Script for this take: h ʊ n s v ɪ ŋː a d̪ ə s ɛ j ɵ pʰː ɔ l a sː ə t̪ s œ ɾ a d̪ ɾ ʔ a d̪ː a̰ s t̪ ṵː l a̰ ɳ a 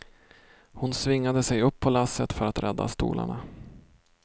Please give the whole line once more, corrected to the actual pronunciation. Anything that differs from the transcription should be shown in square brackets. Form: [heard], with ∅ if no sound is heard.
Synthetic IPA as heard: h ʊ n s v ɪ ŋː a d̪ ə s ɛ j ɵ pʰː ɔ l a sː ə t̪ [f] œ ɾ a [t̪] ɾ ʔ [ɛ] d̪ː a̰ s t̪ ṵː l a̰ ɳ a